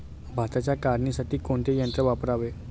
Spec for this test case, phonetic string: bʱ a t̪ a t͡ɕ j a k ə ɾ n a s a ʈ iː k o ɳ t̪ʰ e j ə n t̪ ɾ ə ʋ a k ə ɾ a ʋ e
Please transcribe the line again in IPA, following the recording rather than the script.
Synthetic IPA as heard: bʱ a t̪ a t͡ɕ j a k a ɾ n i s a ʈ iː k o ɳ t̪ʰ e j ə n t̪ ɾ ə ʋ a p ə ɾ a ʋ e